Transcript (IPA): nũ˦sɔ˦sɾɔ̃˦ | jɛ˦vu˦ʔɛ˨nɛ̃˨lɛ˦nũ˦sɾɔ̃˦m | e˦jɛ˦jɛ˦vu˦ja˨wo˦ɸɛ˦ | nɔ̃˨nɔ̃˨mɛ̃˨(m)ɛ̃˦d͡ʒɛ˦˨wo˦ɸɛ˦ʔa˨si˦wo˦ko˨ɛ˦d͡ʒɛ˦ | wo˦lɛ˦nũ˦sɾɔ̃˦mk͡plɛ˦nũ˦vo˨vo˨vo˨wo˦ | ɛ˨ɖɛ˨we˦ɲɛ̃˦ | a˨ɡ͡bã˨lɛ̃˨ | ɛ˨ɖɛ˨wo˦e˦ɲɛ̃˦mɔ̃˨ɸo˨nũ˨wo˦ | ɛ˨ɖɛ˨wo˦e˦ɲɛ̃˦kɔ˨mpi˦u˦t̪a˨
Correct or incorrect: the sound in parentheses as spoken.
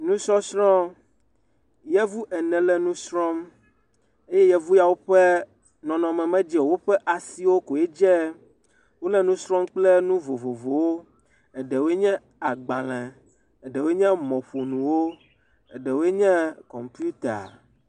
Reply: correct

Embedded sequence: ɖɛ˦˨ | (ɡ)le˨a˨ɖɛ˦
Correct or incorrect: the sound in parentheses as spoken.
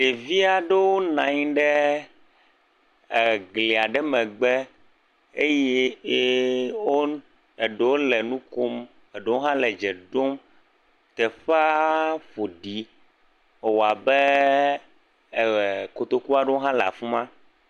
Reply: correct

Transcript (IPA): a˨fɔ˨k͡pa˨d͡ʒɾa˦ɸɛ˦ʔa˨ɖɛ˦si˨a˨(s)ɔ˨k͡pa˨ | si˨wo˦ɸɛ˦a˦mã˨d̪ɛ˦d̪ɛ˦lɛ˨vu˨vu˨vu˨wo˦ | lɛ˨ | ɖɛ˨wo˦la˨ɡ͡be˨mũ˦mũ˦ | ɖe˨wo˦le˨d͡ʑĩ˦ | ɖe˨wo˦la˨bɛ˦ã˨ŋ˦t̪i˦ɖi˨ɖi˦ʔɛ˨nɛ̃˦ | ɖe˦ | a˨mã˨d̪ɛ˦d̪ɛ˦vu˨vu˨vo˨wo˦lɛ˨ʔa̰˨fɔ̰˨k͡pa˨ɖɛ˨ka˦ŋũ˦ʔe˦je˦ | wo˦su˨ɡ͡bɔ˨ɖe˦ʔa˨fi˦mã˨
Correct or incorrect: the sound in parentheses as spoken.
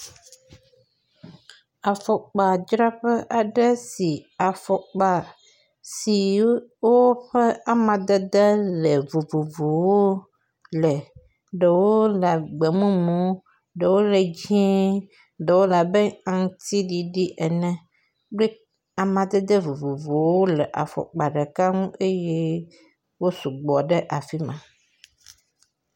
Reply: incorrect: f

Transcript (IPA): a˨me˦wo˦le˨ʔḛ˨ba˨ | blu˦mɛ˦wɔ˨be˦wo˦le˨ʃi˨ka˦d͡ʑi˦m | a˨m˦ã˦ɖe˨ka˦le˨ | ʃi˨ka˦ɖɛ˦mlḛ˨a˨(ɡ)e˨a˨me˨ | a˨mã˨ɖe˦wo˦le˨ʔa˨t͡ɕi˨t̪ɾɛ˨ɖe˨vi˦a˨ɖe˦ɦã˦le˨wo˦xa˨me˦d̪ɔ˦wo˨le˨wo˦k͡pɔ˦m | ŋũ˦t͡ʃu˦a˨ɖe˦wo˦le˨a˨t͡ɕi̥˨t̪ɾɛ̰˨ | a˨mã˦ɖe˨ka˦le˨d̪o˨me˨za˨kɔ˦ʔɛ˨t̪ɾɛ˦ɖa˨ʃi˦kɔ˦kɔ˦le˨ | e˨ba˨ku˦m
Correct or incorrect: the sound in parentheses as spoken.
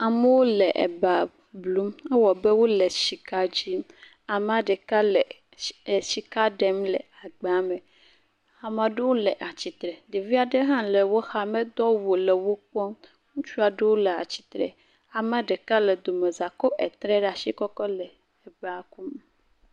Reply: incorrect: ɡ͡b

